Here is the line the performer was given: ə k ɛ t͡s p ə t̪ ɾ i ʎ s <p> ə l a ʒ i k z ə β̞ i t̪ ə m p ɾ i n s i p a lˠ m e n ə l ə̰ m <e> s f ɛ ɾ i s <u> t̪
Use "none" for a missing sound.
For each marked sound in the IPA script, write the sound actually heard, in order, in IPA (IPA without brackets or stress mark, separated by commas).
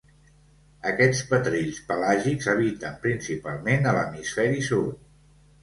p, i, u